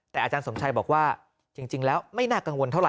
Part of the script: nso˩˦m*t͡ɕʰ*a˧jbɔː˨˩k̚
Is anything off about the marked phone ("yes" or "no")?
no